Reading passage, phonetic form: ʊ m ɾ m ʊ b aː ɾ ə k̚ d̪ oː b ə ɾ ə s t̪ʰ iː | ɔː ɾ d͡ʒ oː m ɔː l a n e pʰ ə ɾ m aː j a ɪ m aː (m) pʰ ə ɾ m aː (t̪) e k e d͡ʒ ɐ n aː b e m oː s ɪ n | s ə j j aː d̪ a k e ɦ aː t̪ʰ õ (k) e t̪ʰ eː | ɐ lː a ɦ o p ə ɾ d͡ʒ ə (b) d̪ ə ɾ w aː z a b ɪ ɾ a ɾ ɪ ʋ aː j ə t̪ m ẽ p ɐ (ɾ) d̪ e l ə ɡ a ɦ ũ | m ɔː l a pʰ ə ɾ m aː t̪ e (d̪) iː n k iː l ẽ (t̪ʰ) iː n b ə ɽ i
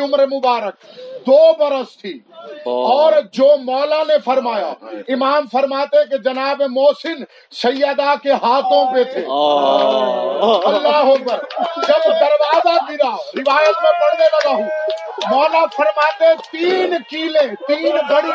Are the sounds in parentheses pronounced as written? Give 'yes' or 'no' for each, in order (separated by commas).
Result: yes, yes, no, yes, no, no, no